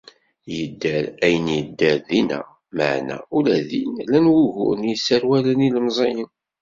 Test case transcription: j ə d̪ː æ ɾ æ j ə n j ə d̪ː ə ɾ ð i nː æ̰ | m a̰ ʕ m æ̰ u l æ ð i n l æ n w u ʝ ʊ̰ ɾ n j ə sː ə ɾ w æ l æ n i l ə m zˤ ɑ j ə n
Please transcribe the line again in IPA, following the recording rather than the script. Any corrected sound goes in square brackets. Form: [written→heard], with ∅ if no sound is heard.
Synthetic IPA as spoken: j ə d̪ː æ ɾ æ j ə n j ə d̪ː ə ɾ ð i [nː→n] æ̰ | m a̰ ʕ [m→n] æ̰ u l æ ð i n l æ n w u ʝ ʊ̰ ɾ n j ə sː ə ɾ w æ l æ n i l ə m zˤ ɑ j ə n